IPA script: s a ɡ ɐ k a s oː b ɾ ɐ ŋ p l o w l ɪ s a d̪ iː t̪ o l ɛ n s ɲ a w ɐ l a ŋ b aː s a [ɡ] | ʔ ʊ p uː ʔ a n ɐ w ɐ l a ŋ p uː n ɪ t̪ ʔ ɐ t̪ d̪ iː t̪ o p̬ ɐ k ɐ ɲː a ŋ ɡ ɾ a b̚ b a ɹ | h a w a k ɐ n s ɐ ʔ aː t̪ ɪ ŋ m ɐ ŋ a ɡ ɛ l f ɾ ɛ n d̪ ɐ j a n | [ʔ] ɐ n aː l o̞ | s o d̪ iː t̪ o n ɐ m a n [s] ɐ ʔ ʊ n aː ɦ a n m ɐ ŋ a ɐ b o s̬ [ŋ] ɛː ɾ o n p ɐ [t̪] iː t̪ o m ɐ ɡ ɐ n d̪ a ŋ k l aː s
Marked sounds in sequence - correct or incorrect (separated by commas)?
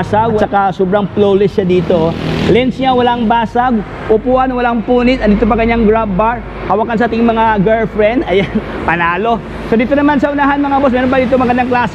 correct, incorrect, correct, incorrect, incorrect